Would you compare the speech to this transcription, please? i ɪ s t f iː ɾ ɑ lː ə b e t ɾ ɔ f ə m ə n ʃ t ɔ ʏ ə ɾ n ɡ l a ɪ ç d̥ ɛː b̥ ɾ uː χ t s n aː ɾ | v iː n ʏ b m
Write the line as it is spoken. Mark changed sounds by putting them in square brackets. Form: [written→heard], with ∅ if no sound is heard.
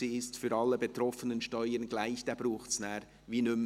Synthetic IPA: i ɪ s t f [iː→yː] ɾ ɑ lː ə b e t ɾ ɔ f ə [m→n] ə n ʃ t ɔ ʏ ə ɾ n ɡ l a ɪ ç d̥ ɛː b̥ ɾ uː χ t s n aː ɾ | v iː n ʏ [b→∅] m